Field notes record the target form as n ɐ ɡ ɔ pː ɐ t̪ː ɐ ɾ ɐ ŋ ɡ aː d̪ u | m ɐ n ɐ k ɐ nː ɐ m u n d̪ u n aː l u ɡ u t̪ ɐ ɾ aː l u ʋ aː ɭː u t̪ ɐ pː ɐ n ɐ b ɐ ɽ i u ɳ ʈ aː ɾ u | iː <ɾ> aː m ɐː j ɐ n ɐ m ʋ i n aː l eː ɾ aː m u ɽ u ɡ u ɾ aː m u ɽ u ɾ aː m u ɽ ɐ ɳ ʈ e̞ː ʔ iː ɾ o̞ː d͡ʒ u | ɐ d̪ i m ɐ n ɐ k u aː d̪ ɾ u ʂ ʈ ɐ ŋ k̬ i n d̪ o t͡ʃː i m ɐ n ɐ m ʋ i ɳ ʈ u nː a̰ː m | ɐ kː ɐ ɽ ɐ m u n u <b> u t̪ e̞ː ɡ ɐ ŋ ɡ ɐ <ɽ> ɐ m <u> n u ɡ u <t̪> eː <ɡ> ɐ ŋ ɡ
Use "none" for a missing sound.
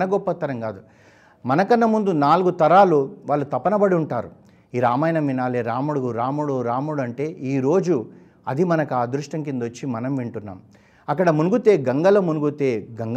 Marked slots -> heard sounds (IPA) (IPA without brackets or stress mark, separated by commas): ɾ, ɡ, l, u, t̪, ɡ